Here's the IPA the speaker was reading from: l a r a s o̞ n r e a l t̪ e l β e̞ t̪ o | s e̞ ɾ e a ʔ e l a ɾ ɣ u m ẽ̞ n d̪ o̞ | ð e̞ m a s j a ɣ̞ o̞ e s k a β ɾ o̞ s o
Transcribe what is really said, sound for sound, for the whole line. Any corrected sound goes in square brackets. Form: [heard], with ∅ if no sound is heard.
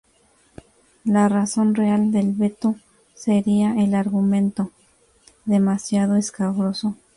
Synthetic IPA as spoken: l a r a s o̞ n r e a l [d̪] e l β e̞ t̪ o | s e̞ ɾ [i] a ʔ e l a ɾ ɣ u m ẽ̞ n [t̪] o̞ | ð e̞ m a s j a [ð̞] o̞ e s k a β ɾ o̞ s o